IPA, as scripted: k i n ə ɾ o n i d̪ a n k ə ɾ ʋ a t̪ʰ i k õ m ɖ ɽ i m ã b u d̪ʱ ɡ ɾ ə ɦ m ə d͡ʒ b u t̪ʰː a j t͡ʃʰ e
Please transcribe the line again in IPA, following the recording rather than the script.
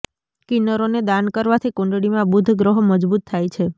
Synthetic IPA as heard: k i n ə ɾ o n e d̪ a n k ə ɾ ʋ a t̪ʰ i k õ ɳ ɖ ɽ i m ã b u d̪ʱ ɡ ɾ ə ɦ m ə d͡ʒ b u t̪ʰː a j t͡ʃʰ e

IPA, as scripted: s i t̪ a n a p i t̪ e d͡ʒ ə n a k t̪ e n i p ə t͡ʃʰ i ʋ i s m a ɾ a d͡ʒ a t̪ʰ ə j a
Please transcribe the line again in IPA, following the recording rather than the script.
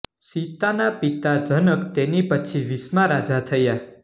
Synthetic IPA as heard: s i t̪ a n a p i t̪ a d͡ʒ ə n ə k t̪ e n i p ə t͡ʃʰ i ʋ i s m a ɾ a d͡ʒ a t̪ʰ ə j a

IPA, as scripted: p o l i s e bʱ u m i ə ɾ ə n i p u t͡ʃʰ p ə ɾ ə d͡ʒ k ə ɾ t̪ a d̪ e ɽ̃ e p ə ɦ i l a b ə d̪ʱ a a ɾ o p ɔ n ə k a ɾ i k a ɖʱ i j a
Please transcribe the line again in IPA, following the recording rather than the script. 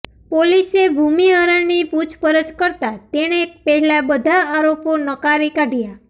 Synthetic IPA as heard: p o l i s e bʱ u m i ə ɾ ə n i p u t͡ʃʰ p ə ɾ ə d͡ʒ k ə ɾ t̪ a t̪ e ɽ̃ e p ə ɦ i l a b ə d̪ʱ a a ɾ o p o n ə k a ɾ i k a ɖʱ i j a

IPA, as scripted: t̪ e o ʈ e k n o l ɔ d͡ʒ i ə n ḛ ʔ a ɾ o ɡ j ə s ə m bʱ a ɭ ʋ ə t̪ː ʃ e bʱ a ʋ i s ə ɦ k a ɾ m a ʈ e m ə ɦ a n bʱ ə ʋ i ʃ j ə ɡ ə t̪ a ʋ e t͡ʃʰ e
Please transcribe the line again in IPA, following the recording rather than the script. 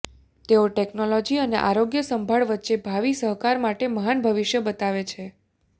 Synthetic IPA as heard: t̪ e o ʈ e k n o l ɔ d͡ʒ i ə n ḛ ʔ a ɾ o ɡ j ə s ə m bʱ a ɭ ʋ ə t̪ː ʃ e bʱ a ʋ i s ə ɦ k a ɾ m a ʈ e m ə ɦ a n bʱ ə ʋ i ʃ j ə b ə t̪ a ʋ e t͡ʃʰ e

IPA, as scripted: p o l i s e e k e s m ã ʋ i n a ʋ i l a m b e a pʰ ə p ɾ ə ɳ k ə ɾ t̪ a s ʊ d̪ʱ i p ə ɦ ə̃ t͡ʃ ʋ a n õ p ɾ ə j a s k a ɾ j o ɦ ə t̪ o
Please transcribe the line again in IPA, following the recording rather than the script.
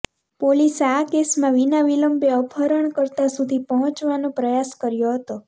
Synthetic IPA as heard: p o l i s e a k e s m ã ʋ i n a ʋ i l ə m b e ə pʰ ə ɾ ə ɳ k ə ɾ t̪ a s u d̪ʱ i p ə ɦ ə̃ t͡ʃ ʋ a n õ p ɾ ə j a s k ə ɾ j o ɦ ə t̪ o

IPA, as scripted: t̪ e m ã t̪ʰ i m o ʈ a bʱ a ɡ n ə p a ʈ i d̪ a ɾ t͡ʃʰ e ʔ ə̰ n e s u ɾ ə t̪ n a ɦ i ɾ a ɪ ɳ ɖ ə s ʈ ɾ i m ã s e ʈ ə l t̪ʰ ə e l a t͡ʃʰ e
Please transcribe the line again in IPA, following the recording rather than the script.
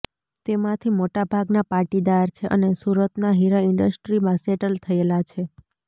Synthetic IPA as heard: t̪ e m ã t̪ʰ i m o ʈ a bʱ a ɡ n a p a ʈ i d̪ a ɾ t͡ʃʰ e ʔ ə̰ n e s u ɾ ə t̪ n a ɦ i ɾ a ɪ ɳ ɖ ə s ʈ ɾ i m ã s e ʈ ə l t̪ʰ ə e l a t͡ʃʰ e

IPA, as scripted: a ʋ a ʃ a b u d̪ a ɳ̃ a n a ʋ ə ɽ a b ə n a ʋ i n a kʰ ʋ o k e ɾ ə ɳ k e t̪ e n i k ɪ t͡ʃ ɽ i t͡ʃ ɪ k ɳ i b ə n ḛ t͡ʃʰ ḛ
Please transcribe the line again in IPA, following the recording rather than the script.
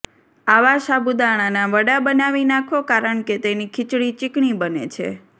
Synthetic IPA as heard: a ʋ a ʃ a b u d̪ a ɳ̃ a n a ʋ ə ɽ a b ə n a ʋ i n a kʰ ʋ o k a ɾ ə ɳ k e t̪ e n i kʰ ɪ t͡ʃ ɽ i t͡ʃ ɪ k ɳ i b ə n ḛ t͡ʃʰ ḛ

